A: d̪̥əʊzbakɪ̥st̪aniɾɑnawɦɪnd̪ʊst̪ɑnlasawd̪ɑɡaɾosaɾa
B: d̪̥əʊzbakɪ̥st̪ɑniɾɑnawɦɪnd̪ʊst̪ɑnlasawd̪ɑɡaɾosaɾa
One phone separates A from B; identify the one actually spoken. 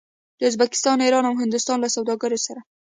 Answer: B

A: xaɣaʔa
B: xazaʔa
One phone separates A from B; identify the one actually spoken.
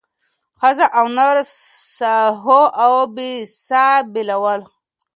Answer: B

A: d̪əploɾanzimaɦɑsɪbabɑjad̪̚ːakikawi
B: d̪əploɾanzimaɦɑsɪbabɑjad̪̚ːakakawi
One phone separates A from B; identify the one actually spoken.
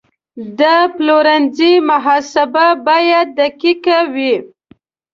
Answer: A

